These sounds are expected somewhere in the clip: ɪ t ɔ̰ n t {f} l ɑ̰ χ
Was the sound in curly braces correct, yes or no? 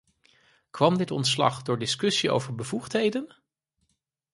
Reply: no